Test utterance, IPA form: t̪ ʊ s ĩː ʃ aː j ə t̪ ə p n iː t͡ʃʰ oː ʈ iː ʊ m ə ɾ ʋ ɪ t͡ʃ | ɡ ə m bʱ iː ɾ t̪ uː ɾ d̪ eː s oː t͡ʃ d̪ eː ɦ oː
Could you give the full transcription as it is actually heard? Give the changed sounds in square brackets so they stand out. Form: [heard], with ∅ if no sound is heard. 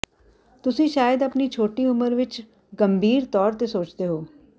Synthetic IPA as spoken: t̪ ʊ s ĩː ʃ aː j ə [d̪] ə p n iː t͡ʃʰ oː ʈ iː ʊ m ə ɾ ʋ ɪ t͡ʃ | ɡ ə m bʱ iː ɾ t̪ [ɔː] ɾ [t̪] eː s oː t͡ʃ d̪ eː ɦ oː

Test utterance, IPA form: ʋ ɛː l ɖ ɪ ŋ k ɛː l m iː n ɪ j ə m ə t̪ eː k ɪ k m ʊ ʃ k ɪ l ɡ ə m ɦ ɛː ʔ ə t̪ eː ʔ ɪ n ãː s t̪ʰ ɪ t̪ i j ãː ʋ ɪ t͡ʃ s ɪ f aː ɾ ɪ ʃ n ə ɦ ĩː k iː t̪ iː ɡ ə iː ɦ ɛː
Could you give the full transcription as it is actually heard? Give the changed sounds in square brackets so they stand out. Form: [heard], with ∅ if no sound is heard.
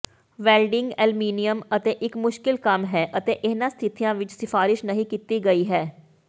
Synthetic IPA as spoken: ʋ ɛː l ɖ ɪ ŋ [ɡ] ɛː l m iː n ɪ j ə m ə t̪ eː [ʔ] ɪ k m ʊ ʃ k ɪ l [k] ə m ɦ ɛː ʔ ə t̪ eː ʔ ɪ n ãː s t̪ʰ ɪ t̪ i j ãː ʋ ɪ t͡ʃ s ɪ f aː ɾ ɪ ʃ n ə ɦ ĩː k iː t̪ iː ɡ ə iː ɦ ɛː

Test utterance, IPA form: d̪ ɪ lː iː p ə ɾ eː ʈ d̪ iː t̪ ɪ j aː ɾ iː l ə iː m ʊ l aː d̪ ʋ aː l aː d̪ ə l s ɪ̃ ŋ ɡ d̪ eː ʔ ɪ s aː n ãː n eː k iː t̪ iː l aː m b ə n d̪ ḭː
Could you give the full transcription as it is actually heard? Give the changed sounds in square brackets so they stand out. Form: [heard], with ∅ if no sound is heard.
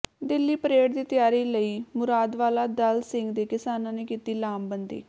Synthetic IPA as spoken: d̪ ɪ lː iː p ə ɾ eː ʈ d̪ iː t̪ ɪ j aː ɾ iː l ə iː m ʊ [ɾ] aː d̪ ʋ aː l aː d̪ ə l s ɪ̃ ŋ ɡ d̪ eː [k] ɪ s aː n ãː n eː k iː t̪ iː l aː m b ə n d̪ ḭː

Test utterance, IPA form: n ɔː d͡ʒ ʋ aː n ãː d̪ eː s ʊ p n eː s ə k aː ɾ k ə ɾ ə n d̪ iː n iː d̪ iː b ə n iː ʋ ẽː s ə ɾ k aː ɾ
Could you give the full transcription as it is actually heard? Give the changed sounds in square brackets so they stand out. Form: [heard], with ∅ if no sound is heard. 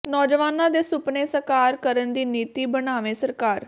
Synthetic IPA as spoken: n ɔː d͡ʒ ʋ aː n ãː d̪ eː s ʊ p n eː s ə k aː ɾ k ə ɾ ə n d̪ iː n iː [t̪] iː b ə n [aː] ʋ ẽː s ə ɾ k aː ɾ

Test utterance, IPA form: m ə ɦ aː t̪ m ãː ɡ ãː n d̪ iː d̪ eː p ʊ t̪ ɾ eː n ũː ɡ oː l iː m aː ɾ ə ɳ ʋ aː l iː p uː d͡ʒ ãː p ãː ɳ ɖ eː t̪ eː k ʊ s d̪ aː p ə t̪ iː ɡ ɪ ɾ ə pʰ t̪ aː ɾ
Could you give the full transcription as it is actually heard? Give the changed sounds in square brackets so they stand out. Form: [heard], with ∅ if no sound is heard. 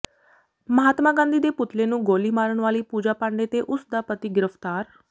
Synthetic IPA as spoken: m ə ɦ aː t̪ m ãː ɡ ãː n d̪ iː d̪ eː p ʊ t̪ [l] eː n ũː ɡ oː l iː m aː ɾ ə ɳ ʋ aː l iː p uː d͡ʒ [aː] p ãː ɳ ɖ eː t̪ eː [ʔ] ʊ s d̪ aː p ə t̪ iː ɡ ɪ ɾ ə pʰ t̪ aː ɾ

